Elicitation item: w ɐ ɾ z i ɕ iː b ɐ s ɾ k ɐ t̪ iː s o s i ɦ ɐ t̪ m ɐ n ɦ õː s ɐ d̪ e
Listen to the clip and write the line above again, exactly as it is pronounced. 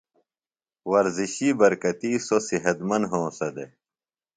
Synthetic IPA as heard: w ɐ ɾ z i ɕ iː b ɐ ɾ k ɐ t̪ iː s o s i ɦ ɐ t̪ m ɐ n ɦ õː s ɐ d̪ e